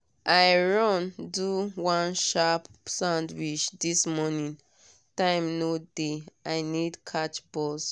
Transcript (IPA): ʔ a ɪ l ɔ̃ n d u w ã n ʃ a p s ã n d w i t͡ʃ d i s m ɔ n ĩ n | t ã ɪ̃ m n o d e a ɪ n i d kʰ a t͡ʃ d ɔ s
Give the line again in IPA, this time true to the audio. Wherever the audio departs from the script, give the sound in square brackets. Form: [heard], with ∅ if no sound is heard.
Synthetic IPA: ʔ a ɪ [ɹ] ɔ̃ n d u w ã n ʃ a p s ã n d w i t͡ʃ d i s m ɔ n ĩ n | t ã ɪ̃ m n o d e a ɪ n i d kʰ a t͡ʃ [b] ɔ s